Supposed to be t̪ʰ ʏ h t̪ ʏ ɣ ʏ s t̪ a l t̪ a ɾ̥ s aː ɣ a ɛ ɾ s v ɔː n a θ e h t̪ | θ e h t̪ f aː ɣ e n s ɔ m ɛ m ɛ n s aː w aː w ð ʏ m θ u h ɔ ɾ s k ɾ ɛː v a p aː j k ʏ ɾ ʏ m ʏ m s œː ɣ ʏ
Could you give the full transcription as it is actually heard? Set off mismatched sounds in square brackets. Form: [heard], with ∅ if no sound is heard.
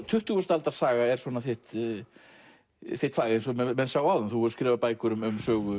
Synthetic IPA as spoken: t̪ʰ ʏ h t̪ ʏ ɣ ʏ s t̪ a l t̪ a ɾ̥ s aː ɣ a ɛ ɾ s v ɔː n a θ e h t̪ | θ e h t̪ f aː ɣ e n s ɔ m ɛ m ɛ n s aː w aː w ð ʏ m θ u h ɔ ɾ s k ɾ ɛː v a p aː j k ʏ ɾ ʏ m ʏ m s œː ɣ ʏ